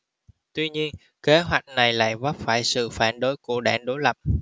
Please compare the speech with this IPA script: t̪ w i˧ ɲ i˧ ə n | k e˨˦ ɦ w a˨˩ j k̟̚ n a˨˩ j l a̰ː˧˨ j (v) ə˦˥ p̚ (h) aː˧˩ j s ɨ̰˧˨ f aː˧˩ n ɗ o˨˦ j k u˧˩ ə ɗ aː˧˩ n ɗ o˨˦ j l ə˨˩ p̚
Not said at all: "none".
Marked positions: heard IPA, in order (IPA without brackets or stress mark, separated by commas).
v, f